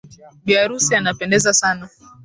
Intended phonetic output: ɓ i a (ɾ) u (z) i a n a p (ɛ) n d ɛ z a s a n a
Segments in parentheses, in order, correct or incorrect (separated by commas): correct, incorrect, correct